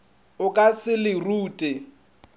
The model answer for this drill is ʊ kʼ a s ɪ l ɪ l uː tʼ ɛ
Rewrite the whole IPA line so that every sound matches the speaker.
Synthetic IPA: ʊ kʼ a s ɪ l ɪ r uː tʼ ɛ

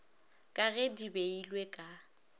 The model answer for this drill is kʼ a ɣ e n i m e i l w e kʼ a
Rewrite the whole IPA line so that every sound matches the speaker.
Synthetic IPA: kʼ a ɣ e d i b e i l w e kʼ a

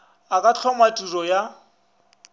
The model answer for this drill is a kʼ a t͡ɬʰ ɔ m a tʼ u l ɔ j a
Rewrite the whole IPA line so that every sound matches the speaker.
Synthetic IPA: a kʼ a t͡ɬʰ ɔ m a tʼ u r ɔ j a

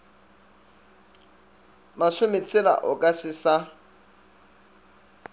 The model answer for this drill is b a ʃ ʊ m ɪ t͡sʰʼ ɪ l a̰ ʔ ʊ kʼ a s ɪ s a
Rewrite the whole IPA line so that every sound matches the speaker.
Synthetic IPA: m a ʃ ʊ m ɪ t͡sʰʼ ɪ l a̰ ʔ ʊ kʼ a s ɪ s a

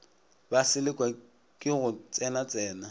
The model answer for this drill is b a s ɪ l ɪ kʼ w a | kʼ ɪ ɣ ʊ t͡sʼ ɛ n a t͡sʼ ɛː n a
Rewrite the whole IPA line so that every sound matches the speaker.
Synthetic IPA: b a s ɪ l ɪ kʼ w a | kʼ ɪ ɣ ʊ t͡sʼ ɛ n a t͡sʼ ɛː n a

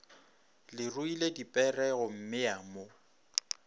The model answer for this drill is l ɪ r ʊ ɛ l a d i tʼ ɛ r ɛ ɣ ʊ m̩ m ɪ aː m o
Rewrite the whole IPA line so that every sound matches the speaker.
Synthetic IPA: l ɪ r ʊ i l e d i pʼ ɛ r ɛ ɣ ʊ m̩ m ɪ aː m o

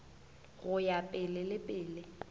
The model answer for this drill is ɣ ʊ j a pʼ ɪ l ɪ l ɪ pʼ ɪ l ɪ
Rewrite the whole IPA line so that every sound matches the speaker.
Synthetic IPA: ɣ ʊ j a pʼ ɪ l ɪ l ɪ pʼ ɪː l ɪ

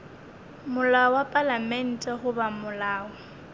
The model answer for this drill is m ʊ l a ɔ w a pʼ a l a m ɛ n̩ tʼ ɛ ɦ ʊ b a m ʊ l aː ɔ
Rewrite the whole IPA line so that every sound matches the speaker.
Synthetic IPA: m ʊ l a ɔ w a pʼ a l a m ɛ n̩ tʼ ɛ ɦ ʊ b a m ʊ l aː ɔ

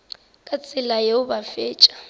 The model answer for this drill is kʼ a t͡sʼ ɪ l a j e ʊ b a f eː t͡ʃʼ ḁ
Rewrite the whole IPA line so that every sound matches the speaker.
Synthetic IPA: kʼ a t͡sʼ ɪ l a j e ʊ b a f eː t͡ʃʼ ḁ

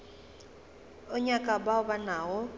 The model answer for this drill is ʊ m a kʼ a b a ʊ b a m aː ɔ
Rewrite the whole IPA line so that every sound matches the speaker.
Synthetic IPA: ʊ ɲ a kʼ a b a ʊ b a n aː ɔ

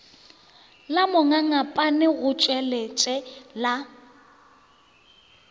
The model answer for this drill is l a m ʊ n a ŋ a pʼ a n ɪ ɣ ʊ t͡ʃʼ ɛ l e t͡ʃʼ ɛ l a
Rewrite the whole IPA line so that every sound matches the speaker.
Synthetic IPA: l a m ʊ ŋ a ŋ a pʼ a n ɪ ɣ ʊ t͡ʃʼ ɛ l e t͡ʃʼ ɛ l a

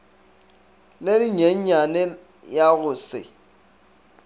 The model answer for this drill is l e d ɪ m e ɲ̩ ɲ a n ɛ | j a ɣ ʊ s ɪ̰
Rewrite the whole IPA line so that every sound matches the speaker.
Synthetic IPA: l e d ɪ ɲ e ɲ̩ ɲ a n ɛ | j a ɣ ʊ s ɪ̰

